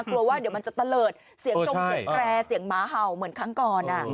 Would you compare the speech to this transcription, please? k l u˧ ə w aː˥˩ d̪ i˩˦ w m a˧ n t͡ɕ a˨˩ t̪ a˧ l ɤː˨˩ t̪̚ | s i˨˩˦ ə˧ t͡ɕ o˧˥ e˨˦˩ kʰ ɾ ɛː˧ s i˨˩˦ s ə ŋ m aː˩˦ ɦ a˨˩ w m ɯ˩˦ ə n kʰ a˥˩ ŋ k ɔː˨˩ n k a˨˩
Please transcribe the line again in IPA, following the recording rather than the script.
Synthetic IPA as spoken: k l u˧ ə w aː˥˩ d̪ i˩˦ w m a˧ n t͡ɕ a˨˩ t̪ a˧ l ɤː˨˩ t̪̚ | s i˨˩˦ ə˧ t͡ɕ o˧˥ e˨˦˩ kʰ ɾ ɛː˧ s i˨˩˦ ə ŋ m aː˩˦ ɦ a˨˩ w m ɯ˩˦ ə n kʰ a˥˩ ŋ k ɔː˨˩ n ʔ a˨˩